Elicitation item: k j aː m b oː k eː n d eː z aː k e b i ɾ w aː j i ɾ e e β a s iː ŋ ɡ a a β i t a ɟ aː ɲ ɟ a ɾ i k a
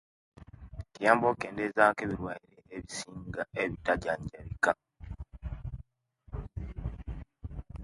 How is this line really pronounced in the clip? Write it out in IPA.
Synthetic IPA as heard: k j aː m b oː k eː n d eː z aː k e β i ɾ w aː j i ɾ e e β i s iː ŋ ɡ a e β i t a ɟ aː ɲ ɟ a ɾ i k a